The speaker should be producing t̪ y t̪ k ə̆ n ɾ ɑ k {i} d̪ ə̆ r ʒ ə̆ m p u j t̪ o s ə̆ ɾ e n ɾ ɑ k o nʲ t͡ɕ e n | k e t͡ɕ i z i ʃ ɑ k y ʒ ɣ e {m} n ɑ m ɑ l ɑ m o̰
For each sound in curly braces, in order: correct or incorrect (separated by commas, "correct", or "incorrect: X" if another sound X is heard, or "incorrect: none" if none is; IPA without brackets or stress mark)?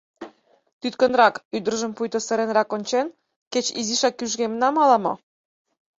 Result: incorrect: y, correct